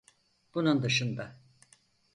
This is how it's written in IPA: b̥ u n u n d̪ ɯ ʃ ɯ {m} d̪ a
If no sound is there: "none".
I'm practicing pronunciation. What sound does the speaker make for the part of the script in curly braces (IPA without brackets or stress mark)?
n